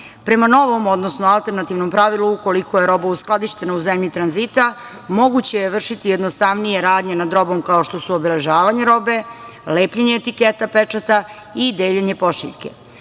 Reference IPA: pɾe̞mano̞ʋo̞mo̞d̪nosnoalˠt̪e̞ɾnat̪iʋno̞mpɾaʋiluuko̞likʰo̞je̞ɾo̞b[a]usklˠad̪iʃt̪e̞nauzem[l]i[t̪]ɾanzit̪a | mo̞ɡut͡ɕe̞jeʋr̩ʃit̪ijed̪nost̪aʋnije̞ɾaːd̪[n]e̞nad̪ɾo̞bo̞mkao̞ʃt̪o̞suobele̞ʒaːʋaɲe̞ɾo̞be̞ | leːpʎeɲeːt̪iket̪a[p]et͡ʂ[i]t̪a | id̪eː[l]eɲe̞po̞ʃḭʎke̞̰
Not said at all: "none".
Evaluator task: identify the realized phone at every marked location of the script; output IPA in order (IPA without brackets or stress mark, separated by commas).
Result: a, ʎ, t̪, ɲ, p, a, ʎ